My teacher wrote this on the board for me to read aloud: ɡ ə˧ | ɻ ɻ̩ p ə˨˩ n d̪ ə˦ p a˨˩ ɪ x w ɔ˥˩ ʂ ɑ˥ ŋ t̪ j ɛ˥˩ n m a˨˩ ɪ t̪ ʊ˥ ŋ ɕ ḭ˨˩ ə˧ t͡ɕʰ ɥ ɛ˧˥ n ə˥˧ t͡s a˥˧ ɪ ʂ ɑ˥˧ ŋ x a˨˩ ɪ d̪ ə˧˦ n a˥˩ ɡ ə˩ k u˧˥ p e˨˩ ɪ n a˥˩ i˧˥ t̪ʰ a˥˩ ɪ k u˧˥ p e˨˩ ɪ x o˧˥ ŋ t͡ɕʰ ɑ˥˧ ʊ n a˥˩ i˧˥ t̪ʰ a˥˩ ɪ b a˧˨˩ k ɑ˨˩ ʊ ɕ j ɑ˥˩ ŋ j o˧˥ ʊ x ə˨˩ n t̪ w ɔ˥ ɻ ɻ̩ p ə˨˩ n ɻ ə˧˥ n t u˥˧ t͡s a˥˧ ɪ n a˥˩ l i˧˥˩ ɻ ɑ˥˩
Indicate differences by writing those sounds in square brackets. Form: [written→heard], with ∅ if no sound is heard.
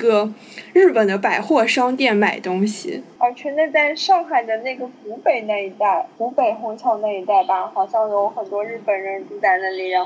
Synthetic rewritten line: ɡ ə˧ | ɻ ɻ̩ p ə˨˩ n d̪ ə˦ p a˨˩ ɪ x w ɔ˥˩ ʂ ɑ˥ ŋ t̪ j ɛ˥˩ n m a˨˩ ɪ t̪ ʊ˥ ŋ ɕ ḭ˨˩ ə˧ t͡ɕʰ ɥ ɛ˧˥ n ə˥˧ t͡s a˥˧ ɪ ʂ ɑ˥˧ ŋ x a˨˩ ɪ d̪ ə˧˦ n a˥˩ ɡ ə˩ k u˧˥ p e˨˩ ɪ n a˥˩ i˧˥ [t̪ʰ→t̪] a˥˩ ɪ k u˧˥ p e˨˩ ɪ x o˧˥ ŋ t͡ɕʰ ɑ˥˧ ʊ n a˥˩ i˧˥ [t̪ʰ→t̪] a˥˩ ɪ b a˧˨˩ [k→x] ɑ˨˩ ʊ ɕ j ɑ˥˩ ŋ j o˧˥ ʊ x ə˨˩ n t̪ w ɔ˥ ɻ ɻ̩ p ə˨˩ n ɻ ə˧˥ n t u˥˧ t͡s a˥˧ ɪ n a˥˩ l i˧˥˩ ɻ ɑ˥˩